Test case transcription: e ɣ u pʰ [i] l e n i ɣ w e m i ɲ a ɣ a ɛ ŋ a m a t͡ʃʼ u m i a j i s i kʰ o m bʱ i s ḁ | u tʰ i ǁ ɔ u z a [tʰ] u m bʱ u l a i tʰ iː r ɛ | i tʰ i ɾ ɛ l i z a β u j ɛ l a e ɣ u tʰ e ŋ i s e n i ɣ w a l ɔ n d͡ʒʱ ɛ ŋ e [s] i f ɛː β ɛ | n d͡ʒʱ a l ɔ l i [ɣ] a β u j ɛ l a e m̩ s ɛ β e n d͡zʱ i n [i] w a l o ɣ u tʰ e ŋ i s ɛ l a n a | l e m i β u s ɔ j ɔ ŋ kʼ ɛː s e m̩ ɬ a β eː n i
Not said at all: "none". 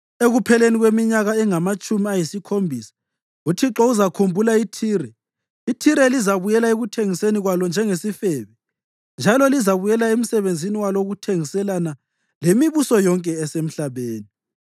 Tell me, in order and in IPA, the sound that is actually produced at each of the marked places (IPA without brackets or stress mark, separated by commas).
ɛ, kʰ, s, z, i